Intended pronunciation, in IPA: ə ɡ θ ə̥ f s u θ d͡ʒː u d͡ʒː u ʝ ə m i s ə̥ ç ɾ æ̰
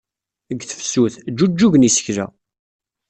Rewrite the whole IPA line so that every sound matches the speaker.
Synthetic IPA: ə ɡ θ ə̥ f s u θ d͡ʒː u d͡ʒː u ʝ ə n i s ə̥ ç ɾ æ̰